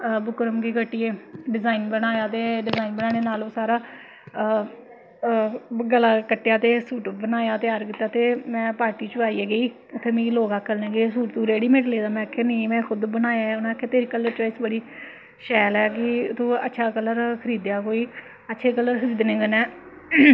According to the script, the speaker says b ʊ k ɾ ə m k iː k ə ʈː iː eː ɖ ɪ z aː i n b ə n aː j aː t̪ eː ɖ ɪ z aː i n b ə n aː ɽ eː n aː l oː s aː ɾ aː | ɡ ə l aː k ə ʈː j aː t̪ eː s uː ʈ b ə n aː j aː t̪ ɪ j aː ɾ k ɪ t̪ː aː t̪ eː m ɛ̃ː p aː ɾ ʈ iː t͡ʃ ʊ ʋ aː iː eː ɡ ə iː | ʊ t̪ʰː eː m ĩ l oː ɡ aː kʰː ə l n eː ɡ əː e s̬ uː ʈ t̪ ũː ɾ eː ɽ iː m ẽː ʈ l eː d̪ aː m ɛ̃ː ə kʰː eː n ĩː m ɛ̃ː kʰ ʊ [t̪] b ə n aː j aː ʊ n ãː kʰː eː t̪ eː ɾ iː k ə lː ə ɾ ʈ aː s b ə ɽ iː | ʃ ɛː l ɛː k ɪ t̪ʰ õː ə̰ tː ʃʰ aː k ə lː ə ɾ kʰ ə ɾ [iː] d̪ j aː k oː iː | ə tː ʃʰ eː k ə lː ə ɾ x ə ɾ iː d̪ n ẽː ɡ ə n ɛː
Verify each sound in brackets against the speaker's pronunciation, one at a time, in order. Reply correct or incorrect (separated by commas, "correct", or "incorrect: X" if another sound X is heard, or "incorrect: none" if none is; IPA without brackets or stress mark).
incorrect: d̪, correct